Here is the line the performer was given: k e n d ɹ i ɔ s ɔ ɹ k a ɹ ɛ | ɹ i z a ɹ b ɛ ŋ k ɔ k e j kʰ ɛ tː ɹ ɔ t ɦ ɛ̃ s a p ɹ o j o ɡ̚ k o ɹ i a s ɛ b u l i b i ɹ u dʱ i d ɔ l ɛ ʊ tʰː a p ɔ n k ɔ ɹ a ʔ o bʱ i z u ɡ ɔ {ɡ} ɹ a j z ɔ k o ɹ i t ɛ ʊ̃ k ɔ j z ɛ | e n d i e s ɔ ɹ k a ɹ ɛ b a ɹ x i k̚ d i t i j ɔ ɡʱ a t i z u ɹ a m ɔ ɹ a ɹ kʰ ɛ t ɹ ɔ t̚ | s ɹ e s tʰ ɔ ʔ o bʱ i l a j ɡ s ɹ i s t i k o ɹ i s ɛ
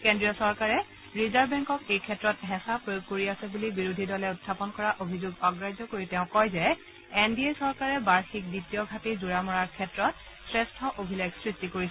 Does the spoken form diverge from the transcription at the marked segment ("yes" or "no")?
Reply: no